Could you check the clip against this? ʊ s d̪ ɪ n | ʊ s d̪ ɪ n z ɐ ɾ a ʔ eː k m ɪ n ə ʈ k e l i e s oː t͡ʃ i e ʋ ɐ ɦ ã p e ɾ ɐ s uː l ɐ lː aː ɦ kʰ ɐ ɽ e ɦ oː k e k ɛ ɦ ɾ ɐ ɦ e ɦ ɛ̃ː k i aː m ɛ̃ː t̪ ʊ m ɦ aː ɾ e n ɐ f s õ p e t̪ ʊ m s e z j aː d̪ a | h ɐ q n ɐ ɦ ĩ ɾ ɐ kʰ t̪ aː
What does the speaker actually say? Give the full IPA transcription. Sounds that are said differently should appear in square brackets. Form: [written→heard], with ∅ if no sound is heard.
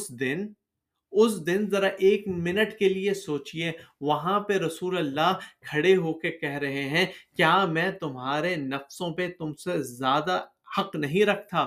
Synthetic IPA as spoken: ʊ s d̪ ɪ n | ʊ s d̪ ɪ n z ɐ ɾ a ʔ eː k m ɪ n ə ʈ k e l i e s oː t͡ʃ i e ʋ ɐ ɦ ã p e ɾ ɐ s uː l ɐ lː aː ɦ kʰ ɐ ɽ e ɦ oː k e k ɛ ɦ ɾ ɐ ɦ e ɦ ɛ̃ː k [i→j] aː m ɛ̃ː t̪ ʊ m ɦ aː ɾ e n ɐ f s õ p e t̪ ʊ m s e z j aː d̪ a | h ɐ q n ɐ ɦ ĩ ɾ ɐ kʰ t̪ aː